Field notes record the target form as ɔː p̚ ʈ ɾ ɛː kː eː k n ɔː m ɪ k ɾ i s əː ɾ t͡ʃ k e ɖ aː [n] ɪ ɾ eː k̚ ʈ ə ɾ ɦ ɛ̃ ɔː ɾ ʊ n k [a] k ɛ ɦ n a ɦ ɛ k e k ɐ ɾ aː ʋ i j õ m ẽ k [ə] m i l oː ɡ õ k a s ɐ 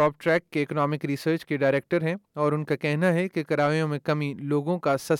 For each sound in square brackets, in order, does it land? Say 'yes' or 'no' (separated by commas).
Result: no, yes, no